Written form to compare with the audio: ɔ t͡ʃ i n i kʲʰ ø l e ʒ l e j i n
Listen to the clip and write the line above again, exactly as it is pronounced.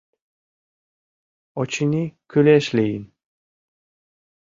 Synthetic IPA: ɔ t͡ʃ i n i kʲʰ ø l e ʃ l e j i n